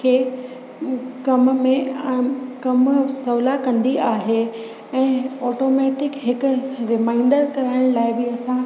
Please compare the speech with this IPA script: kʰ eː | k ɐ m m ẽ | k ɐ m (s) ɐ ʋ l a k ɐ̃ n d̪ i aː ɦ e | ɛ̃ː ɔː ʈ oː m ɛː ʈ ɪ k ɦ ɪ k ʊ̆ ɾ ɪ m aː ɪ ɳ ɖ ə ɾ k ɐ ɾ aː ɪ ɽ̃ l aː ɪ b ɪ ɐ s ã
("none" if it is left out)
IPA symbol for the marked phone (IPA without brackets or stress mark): s